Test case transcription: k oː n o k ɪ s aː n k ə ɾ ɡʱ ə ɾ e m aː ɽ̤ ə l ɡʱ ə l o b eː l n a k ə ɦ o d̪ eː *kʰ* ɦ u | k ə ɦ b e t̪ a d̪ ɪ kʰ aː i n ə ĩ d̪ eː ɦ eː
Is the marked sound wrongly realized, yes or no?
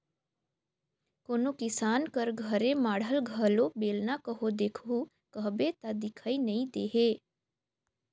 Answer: no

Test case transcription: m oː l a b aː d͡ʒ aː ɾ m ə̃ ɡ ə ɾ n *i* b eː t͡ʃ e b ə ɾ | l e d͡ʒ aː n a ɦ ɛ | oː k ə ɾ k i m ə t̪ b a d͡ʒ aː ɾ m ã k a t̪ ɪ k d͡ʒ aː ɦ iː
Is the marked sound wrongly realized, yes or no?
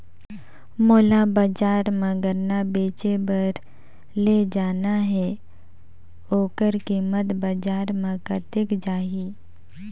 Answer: yes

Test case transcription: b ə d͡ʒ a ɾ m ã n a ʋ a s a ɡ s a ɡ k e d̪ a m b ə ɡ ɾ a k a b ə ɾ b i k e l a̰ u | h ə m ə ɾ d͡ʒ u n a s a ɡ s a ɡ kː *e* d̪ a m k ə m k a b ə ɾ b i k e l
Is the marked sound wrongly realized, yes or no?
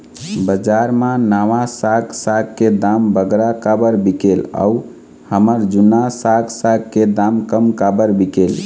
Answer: no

